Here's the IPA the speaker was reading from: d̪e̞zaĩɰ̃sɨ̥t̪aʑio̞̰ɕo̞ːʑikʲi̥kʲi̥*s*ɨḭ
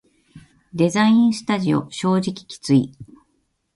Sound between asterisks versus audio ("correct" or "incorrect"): incorrect